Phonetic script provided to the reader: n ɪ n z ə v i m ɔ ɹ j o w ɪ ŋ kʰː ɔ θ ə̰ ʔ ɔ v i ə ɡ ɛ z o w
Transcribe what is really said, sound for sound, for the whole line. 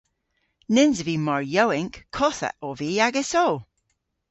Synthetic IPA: n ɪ n z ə v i m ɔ ɹ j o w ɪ ŋ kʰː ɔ θ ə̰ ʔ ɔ v i a ɡ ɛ s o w